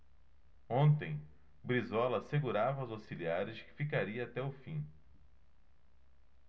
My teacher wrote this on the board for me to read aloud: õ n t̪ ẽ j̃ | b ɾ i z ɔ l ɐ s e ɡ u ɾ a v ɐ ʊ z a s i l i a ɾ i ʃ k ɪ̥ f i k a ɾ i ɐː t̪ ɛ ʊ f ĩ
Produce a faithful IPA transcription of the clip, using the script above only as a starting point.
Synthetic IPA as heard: õ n t̪ ẽ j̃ | b ɾ i z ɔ l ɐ s e ɡ u ɾ a v ɐ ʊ z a s i l i a ɾ ɪ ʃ k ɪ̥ f i k a ɾ i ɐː t̪ ɛ ʊ f ĩ